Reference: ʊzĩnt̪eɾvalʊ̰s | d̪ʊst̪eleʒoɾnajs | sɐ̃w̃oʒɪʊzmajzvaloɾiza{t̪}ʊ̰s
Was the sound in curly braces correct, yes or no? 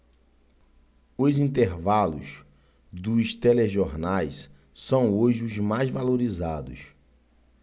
no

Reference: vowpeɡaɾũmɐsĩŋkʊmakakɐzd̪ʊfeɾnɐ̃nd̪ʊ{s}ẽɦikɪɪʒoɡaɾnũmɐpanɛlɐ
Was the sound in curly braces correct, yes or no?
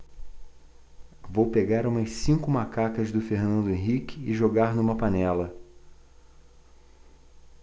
no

